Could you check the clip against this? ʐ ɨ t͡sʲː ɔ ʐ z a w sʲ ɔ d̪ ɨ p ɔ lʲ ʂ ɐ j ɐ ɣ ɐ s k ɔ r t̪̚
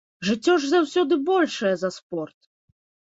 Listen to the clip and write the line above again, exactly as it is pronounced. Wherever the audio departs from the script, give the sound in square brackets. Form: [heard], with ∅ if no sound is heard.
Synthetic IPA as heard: ʐ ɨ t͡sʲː ɔ ʐ z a w sʲ ɔ d̪ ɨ [b] ɔ lʲ ʂ ɐ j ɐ [z] ɐ s [p] ɔ r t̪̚